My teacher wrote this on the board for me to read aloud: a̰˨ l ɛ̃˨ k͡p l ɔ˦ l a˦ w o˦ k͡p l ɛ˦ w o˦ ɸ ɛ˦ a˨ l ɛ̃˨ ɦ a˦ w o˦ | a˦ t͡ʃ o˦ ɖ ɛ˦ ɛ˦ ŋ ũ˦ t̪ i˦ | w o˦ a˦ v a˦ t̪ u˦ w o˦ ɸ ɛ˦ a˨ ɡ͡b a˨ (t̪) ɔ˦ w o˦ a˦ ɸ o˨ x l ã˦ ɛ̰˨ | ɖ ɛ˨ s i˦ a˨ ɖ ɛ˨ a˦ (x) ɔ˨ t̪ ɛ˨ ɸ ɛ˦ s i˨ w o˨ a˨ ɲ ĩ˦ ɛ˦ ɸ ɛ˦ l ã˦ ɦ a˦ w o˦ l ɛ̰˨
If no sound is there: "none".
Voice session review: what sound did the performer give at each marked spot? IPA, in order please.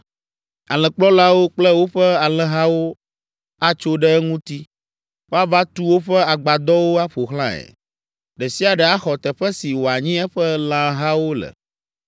d̪, x

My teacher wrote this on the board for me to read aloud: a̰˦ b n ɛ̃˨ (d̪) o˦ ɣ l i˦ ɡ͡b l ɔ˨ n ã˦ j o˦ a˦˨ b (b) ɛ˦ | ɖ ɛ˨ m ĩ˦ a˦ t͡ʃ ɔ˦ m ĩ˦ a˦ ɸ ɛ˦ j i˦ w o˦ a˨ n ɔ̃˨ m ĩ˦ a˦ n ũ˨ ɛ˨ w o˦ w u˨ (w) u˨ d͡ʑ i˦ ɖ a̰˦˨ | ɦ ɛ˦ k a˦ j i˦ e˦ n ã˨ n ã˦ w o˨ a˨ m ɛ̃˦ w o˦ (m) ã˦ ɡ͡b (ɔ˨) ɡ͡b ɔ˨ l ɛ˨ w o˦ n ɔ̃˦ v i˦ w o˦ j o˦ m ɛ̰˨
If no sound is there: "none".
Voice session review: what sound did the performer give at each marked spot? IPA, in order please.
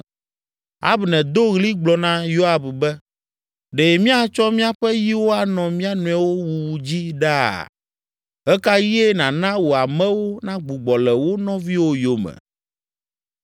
d̪, b, w, n, u˨

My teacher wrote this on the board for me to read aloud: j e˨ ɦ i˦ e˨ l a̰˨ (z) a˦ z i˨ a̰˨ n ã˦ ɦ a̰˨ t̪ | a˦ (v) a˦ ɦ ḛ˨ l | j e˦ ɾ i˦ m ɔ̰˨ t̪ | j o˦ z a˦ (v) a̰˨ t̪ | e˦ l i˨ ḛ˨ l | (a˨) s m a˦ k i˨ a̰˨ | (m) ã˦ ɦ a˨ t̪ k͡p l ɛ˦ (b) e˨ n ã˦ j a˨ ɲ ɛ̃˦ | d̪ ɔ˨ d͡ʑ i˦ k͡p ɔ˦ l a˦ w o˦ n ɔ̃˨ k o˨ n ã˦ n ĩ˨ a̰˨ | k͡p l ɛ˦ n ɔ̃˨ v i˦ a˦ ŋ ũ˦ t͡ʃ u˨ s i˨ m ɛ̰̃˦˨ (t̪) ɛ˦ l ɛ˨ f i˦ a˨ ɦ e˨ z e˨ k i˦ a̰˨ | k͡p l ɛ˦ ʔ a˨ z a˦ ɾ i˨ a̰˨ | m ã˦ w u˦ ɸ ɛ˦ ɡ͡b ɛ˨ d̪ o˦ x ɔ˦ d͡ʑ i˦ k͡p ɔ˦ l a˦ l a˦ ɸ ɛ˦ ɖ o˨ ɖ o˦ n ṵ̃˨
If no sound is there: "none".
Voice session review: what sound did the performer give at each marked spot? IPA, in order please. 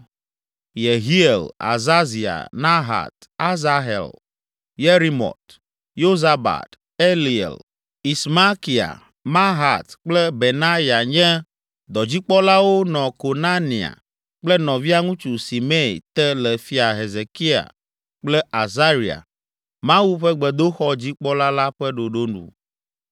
z, z, b, i˨, m, b, t̪

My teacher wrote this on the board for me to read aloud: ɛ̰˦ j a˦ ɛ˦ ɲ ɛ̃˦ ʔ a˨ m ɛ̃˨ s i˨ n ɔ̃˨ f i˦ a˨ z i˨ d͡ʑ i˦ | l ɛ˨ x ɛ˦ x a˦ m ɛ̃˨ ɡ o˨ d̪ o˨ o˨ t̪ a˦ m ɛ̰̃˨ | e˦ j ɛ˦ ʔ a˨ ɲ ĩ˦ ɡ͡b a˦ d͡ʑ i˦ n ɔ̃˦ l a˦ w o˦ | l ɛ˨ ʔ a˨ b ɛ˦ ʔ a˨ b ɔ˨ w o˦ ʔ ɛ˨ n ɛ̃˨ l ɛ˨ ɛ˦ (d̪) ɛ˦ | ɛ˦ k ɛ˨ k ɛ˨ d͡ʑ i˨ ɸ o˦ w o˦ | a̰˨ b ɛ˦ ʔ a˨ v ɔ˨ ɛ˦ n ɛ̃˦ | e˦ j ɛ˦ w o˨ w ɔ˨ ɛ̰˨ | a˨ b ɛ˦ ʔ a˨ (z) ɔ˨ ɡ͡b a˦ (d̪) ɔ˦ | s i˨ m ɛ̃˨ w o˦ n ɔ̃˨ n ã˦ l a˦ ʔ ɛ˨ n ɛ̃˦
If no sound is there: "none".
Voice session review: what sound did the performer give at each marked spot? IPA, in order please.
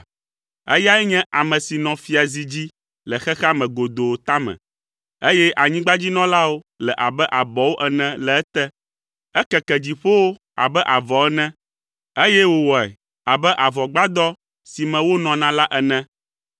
t̪, v, d̪

